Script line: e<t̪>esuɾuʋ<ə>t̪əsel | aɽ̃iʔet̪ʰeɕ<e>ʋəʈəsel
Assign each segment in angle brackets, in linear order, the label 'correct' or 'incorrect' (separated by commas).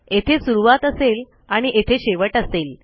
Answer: incorrect, incorrect, correct